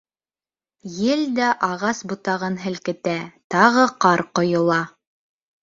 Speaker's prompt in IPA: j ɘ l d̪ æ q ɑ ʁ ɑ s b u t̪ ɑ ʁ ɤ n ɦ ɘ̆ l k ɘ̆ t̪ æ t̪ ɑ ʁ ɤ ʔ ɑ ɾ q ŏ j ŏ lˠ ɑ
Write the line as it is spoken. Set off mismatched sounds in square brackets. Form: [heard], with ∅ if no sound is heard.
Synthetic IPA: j ɘ l d̪ æ [ʔ] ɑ ʁ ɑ s b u t̪ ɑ ʁ ɤ n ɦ ɘ̆ l k ɘ̆ t̪ æ t̪ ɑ ʁ ɤ [q] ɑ ɾ q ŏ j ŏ lˠ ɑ